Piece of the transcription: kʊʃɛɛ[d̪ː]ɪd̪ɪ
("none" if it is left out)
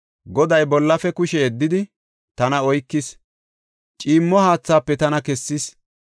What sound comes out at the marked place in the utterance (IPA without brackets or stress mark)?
d̪ː